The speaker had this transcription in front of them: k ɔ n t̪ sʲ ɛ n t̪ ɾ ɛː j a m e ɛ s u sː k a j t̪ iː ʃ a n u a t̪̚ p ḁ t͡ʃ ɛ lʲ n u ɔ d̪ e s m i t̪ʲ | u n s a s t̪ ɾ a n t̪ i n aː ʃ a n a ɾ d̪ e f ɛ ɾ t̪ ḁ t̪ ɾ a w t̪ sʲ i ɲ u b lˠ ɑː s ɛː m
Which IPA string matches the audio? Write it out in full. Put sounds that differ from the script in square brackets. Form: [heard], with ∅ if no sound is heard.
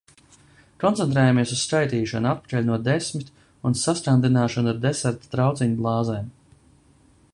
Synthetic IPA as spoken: k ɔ n t̪ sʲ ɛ n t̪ ɾ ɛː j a m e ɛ s u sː k a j t̪ iː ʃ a n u a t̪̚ p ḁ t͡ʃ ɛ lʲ n u ɔ d̪ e s m i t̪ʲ | u n s a s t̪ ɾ a n [d̪] i n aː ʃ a n a ɾ d̪ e [s] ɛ ɾ t̪ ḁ t̪ ɾ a w t̪ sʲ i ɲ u b lˠ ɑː [z] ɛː m

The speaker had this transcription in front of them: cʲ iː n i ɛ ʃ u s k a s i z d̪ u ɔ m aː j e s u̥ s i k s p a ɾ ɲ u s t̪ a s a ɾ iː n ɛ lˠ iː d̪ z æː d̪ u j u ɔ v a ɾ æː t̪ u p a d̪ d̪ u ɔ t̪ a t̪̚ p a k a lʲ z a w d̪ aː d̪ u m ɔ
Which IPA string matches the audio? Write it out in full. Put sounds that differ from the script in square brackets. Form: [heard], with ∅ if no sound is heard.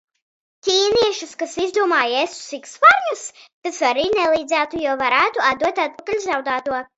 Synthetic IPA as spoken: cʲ iː n i ɛ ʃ u s k a s i z d̪ u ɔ m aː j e s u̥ s i k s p a ɾ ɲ u s t̪ a s a ɾ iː n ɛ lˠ iː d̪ z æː [t̪] u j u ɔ v a ɾ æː t̪ u [∅] a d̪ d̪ u ɔ t̪ a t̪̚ p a k a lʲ z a w d̪ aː [t̪] u [∅] ɔ

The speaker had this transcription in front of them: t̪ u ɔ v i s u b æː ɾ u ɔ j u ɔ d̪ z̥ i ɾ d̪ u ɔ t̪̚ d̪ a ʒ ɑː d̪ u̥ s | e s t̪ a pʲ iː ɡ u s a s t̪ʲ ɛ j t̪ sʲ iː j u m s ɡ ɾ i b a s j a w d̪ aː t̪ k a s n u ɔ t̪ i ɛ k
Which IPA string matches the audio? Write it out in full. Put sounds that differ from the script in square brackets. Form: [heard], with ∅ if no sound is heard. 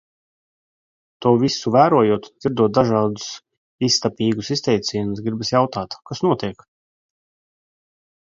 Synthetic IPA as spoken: t̪ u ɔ v i s u [v] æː ɾ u ɔ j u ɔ [t̪] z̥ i ɾ d̪ u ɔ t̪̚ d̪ a ʒ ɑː d̪ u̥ s | [i] s t̪ a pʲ iː ɡ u s [i] s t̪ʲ ɛ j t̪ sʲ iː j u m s ɡ ɾ i b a s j a w [t̪] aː t̪ k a s n u ɔ t̪ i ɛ k

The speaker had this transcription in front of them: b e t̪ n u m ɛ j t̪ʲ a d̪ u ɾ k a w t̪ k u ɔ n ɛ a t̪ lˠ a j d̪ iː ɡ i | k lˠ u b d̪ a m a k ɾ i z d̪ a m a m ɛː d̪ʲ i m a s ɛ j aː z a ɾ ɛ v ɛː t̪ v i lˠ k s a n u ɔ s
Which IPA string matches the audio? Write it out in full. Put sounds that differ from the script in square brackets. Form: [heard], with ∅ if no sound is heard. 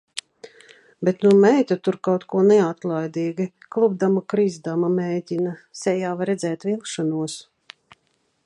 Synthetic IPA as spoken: b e t̪ n u m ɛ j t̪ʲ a [t̪] u ɾ k a w t̪ k u ɔ n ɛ a t̪ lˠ a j d̪ iː ɡ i | k lˠ u b d̪ a m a k ɾ i z d̪ a m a m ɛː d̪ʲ i [n] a s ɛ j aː [v] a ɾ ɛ [z] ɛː t̪ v i lˠ k [ʃ] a n u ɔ s

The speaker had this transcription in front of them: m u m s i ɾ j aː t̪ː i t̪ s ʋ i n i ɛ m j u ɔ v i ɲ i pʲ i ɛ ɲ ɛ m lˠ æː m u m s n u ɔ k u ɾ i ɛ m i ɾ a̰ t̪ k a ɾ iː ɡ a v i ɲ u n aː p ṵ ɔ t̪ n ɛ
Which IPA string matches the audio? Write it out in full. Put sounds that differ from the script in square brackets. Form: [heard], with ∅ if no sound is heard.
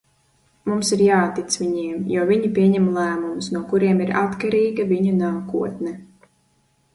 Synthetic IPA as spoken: m u m s i ɾ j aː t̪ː i t̪ s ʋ i [ɲ] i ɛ m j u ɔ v i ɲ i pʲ i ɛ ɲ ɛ m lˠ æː m u m s n u ɔ k u ɾ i ɛ m i ɾ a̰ t̪ k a ɾ iː ɡ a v i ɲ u n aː [k] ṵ ɔ t̪ n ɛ

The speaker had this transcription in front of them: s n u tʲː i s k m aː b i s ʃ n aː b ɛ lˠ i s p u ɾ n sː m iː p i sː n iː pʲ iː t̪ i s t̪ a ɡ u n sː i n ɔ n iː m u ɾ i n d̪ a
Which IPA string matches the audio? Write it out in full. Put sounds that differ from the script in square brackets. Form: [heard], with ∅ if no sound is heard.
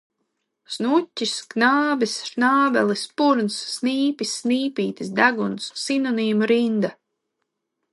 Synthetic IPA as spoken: s n u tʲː i s k [n] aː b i s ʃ n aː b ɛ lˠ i s p u ɾ n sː [n] iː p i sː n iː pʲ iː t̪ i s [d̪] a ɡ u n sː i n ɔ n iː m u ɾ i n d̪ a

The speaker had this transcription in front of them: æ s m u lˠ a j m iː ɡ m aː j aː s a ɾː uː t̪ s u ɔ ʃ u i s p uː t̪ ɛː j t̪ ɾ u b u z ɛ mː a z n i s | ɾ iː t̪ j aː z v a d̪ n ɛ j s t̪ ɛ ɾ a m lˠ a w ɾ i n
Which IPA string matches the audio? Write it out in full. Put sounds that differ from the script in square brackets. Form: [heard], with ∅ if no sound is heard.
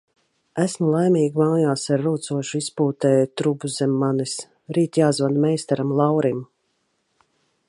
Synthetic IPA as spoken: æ s m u lˠ a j m iː ɡ m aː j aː s a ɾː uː t̪ s u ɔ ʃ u i s p uː t̪ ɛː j t̪ ɾ u b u z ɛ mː a [∅] n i s | ɾ iː t̪ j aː z v a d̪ [m] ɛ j s t̪ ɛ ɾ a m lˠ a w ɾ i [m]

